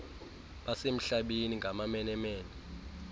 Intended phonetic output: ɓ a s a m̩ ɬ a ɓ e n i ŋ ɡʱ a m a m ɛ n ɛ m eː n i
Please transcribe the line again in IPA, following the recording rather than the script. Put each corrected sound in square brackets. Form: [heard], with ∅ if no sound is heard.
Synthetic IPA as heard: ɓ a s [e] m̩ ɬ a ɓ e n i ŋ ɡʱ a m a m ɛ n ɛ m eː n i